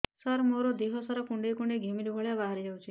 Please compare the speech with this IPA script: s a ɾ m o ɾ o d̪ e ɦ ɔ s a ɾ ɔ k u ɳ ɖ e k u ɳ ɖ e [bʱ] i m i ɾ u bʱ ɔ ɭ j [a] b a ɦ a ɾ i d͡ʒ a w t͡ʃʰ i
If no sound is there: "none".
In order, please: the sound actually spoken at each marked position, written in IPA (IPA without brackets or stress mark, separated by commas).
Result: ɡʱ, a